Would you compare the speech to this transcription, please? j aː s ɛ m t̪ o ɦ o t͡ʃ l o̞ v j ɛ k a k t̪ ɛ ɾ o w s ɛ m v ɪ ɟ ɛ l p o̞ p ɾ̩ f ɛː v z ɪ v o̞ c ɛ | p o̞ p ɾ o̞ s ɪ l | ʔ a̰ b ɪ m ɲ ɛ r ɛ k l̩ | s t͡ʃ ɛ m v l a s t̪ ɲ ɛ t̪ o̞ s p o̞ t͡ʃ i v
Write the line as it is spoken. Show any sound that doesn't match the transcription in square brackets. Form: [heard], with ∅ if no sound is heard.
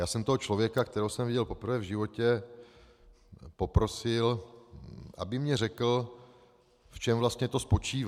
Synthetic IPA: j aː s ɛ m t̪ o ɦ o t͡ʃ l o̞ v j ɛ k a k t̪ ɛ ɾ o w s ɛ m v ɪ ɟ ɛ l p o̞ p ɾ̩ [v] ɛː v [ʒ] ɪ v o̞ c ɛ | p o̞ p ɾ o̞ s ɪ l | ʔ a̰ b ɪ m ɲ ɛ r ɛ k l̩ | [f] t͡ʃ ɛ m v l a s t̪ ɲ ɛ t̪ o̞ s p o̞ t͡ʃ [iː] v